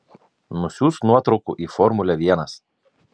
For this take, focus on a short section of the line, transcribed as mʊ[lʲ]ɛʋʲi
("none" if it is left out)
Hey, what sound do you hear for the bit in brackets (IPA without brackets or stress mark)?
lʲ